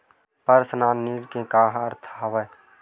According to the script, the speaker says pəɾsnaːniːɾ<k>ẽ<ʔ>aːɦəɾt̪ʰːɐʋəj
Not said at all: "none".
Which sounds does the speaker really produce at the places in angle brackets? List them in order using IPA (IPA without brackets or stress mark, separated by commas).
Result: k, k